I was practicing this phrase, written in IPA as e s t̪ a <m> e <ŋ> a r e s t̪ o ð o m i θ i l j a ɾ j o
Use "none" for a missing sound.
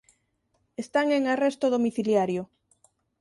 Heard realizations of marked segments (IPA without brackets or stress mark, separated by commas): ŋ, ŋ